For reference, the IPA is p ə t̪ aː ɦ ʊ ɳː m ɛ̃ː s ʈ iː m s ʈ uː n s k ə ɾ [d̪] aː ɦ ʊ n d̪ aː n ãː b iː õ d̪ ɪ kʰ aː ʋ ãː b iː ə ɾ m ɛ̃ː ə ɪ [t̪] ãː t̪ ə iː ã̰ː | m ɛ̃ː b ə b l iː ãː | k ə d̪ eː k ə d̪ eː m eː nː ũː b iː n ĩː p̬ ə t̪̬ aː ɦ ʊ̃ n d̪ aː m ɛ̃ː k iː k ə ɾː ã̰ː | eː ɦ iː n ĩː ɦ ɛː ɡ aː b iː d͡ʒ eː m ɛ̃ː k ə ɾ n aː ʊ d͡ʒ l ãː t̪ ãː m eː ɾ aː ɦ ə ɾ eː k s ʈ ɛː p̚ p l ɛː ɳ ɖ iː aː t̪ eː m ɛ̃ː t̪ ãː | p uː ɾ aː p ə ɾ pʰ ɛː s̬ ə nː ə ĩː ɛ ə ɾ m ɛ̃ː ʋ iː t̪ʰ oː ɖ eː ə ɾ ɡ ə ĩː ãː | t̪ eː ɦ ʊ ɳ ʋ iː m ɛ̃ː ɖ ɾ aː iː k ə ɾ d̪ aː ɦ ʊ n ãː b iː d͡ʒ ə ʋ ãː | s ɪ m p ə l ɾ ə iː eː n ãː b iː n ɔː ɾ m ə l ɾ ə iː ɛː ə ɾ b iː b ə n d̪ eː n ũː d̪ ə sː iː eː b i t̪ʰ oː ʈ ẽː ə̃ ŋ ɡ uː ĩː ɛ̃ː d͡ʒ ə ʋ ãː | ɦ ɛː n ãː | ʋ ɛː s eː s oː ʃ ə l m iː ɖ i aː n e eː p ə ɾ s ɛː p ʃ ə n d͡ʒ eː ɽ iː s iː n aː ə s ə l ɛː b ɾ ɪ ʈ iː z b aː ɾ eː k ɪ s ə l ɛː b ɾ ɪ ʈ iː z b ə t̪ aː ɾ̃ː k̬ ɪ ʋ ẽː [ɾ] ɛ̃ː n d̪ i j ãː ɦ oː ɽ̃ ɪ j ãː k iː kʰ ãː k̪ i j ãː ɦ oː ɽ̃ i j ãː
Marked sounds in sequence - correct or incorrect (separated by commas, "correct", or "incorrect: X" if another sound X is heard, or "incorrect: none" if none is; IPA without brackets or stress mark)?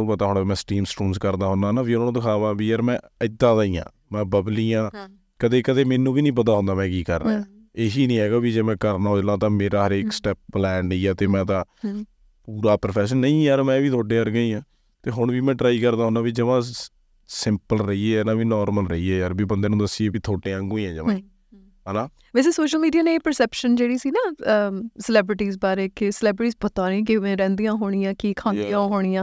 correct, incorrect: d̪, correct